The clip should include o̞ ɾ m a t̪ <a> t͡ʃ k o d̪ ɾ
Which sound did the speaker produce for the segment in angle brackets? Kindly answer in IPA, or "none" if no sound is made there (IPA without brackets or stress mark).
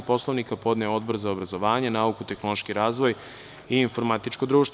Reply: i